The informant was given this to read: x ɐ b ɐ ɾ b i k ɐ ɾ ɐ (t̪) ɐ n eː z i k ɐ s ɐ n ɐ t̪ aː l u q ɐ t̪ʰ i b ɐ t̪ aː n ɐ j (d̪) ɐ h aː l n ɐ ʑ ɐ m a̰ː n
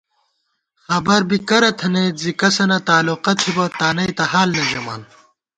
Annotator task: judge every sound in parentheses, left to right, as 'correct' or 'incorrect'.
incorrect: t̪ʰ, incorrect: t̪

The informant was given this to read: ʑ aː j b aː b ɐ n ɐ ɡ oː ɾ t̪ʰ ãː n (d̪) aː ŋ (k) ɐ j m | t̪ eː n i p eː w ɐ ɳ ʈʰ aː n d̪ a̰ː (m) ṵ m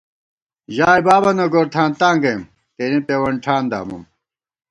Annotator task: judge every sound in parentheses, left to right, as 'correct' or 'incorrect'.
incorrect: t̪, incorrect: ɡ, correct

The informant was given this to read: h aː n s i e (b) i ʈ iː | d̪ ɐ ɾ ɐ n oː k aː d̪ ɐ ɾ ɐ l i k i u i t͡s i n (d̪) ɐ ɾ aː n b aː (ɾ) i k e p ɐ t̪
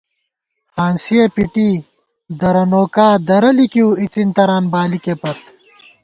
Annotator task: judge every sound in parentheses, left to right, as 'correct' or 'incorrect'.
incorrect: p, incorrect: t̪, incorrect: l

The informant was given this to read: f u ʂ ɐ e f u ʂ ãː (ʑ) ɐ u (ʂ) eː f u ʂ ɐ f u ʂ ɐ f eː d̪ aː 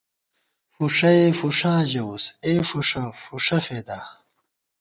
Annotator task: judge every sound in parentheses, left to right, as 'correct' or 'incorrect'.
correct, incorrect: s

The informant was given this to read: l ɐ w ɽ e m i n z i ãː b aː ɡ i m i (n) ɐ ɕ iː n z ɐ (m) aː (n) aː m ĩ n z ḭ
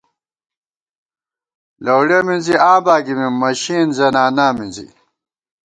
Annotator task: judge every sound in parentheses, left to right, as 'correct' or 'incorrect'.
incorrect: m, incorrect: n, correct

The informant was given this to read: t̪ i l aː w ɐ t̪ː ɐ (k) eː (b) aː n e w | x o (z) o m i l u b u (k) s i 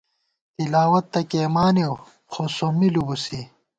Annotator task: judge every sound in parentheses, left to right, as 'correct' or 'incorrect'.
correct, incorrect: m, incorrect: s, incorrect: none

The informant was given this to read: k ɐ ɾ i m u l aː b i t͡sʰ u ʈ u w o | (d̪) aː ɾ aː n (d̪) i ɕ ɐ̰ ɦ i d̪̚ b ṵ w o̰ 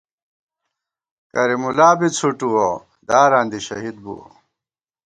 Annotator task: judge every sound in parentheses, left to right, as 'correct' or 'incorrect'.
correct, correct

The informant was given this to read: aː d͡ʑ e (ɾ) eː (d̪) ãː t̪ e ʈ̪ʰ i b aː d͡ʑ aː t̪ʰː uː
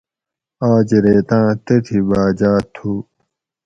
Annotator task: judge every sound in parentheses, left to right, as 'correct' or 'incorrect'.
correct, incorrect: t̪

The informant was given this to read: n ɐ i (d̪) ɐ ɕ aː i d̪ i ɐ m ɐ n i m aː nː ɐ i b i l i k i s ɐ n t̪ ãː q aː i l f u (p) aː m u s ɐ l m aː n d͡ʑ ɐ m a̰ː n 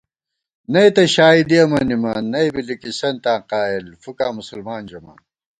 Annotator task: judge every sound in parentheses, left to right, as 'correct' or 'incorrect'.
incorrect: t̪, incorrect: k

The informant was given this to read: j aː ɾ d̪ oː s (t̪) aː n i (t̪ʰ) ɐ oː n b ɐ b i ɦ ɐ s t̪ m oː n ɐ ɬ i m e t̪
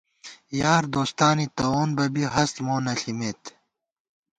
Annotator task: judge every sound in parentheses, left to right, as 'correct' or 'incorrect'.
correct, incorrect: t̪

